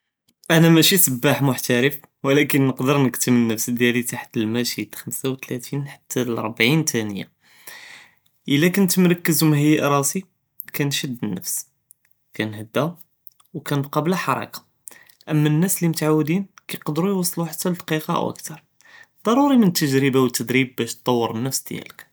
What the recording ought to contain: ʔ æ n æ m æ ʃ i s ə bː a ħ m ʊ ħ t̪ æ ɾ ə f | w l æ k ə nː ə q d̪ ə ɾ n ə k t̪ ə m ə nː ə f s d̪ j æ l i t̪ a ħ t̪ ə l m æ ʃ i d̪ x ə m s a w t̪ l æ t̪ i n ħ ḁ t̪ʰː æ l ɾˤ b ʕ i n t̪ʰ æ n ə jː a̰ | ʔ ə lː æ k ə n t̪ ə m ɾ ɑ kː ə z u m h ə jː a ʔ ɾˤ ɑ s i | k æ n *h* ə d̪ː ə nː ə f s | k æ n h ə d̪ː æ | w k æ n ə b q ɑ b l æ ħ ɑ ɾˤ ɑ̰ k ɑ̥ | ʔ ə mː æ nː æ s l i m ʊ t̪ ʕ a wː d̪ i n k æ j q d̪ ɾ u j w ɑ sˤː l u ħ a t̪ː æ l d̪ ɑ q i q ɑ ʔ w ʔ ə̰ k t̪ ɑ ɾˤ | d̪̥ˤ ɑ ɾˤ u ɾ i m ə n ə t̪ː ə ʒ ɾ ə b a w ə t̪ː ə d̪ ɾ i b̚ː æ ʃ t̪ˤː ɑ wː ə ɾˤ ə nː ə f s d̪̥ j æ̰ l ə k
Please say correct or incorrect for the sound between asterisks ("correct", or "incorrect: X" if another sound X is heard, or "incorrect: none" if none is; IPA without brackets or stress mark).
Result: incorrect: ʃ